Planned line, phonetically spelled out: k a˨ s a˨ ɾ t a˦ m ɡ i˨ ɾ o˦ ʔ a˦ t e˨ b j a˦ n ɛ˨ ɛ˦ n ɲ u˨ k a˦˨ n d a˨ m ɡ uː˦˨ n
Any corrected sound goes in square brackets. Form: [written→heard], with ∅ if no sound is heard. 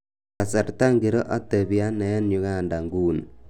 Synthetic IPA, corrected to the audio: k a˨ s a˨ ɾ t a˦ [m→ŋ] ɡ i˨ ɾ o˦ ʔ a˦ t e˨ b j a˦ n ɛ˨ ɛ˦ n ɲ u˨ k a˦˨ n d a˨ [m→ŋ] ɡ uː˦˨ n